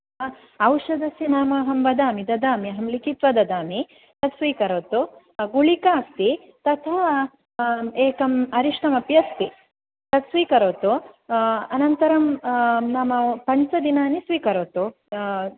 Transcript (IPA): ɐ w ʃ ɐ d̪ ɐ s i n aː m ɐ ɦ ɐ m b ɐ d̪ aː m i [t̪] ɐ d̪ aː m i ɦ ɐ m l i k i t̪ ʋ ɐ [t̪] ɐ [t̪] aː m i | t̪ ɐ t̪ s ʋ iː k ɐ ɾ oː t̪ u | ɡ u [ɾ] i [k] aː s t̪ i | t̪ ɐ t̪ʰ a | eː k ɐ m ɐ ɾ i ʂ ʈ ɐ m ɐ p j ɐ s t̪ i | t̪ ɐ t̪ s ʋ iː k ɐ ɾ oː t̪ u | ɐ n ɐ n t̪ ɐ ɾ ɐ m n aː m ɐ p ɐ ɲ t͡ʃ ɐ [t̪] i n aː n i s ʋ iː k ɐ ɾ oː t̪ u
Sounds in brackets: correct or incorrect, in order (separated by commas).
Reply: incorrect, incorrect, incorrect, incorrect, correct, incorrect